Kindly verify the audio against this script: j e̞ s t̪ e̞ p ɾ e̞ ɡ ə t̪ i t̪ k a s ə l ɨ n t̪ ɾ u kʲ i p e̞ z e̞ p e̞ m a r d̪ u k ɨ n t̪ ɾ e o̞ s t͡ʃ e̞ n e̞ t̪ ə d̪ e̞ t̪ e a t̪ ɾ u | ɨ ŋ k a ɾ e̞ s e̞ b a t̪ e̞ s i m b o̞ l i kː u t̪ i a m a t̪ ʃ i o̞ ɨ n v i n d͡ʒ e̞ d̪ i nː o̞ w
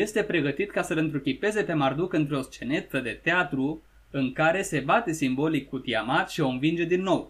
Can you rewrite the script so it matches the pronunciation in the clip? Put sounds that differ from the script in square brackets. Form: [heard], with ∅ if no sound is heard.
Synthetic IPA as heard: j e̞ s t̪ e̞ p ɾ e̞ ɡ ə t̪ i t̪ k a s ə l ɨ n t̪ ɾ u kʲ i p e̞ z e̞ p e̞ m a r d̪ u k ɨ n t̪ ɾ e o̞ s t͡ʃ e̞ n e̞ t̪ ə d̪ e̞ t̪ e a t̪ ɾ u | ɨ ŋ k a ɾ e̞ s e̞ b a t̪ e̞ s i m b o̞ l i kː u t̪ i a m a t̪ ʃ i o̞ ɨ n v i n d͡ʒ e̞ d̪ i nː o̞ w